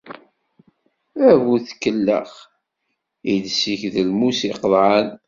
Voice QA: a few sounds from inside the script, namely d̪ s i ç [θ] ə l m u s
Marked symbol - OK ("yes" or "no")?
no